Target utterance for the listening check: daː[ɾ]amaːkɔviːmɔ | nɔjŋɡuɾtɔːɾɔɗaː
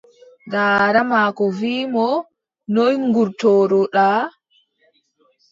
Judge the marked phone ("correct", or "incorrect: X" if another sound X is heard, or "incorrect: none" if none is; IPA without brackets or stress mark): correct